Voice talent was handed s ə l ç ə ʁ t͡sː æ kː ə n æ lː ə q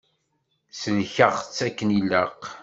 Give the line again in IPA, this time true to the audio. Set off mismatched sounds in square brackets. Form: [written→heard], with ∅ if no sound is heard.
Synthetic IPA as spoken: s ə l ç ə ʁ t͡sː æ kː ə n [æ→i] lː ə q